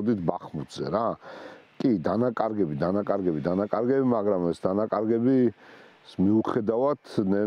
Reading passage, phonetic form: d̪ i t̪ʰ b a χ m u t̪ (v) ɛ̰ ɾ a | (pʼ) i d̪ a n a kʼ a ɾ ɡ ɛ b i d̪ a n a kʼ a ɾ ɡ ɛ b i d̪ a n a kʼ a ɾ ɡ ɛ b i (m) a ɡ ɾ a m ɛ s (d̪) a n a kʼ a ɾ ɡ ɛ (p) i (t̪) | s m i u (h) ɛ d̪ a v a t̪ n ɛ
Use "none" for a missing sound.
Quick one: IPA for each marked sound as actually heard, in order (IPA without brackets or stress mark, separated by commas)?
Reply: z, kʼ, m, d̪, b, none, χ